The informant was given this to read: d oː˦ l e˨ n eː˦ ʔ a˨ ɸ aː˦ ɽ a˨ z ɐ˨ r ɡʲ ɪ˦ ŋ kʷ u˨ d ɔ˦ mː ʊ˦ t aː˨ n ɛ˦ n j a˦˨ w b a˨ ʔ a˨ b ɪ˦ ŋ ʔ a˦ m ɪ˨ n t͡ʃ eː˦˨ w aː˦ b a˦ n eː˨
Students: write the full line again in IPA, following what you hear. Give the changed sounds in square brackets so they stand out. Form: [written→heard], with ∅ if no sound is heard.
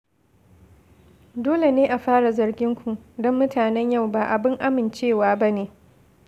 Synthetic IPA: d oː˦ l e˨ n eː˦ ʔ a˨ ɸ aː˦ ɽ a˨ z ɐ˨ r ɡʲ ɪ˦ ŋ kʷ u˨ d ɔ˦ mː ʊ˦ t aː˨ n ɛ˦ [n→ɲ] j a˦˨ w b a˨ ʔ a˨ b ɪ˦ ŋ ʔ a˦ m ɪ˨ n t͡ʃ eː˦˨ w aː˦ b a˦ n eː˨